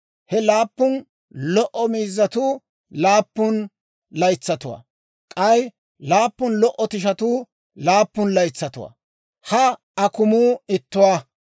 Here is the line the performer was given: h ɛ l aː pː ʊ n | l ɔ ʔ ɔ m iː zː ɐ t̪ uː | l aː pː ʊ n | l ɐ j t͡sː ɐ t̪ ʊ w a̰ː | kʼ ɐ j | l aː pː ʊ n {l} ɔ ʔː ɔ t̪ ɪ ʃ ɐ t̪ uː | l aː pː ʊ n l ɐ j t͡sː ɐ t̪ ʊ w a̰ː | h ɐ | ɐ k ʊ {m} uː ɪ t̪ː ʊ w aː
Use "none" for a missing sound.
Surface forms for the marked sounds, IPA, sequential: l, m

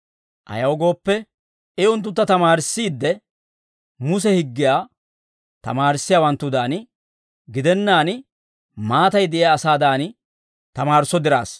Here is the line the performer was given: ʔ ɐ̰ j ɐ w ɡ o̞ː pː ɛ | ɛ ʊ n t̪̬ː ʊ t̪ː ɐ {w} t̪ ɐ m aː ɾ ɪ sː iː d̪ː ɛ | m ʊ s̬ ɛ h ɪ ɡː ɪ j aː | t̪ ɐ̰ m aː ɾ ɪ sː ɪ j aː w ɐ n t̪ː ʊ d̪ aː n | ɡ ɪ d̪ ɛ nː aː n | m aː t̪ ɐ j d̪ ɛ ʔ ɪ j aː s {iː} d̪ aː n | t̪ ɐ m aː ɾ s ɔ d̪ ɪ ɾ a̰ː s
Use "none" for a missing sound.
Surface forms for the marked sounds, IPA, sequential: none, aː

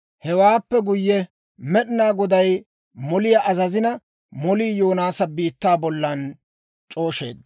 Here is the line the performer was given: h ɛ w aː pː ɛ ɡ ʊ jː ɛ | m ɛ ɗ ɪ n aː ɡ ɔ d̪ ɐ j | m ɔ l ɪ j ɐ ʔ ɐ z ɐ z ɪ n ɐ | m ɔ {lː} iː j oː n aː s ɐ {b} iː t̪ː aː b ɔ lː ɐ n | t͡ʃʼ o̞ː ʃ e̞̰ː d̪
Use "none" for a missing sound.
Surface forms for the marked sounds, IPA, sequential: l, b

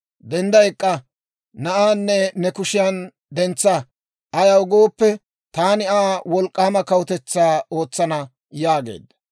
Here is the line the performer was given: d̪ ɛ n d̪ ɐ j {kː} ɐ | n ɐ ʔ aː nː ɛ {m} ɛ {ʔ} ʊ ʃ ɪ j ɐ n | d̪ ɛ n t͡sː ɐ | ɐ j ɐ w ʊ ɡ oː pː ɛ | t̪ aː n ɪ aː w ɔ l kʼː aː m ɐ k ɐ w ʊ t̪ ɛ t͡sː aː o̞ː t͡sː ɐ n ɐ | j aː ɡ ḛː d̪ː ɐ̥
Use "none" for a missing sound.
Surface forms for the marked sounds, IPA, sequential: kʼː, n, k

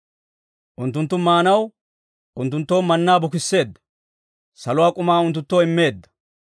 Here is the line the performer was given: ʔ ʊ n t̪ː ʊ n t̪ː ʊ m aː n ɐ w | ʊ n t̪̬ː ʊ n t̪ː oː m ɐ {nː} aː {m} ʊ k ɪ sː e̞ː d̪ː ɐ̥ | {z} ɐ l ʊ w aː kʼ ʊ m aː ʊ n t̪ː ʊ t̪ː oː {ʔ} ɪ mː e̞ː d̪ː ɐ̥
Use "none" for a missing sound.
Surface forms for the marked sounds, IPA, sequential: nː, b, s, none

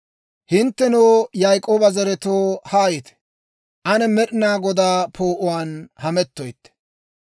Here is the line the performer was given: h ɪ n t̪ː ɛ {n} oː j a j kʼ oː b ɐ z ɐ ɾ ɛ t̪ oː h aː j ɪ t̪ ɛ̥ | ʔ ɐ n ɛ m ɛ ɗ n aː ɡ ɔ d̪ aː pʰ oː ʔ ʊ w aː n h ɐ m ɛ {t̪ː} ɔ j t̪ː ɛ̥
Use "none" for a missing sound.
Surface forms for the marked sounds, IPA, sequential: n, t̪ː

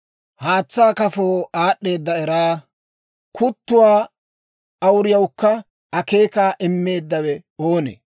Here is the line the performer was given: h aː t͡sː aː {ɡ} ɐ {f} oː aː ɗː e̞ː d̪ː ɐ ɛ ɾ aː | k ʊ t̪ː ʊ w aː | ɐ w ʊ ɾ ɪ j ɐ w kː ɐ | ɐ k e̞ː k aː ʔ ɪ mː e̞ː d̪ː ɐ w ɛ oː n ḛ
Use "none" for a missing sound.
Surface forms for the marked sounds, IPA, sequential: k, f

